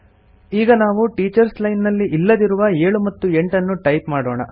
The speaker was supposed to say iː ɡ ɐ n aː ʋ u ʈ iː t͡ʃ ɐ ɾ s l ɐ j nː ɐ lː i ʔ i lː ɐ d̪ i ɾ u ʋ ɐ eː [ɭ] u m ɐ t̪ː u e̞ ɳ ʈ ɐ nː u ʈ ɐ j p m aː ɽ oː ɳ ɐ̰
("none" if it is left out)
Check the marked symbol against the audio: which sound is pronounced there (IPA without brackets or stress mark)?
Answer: ɭ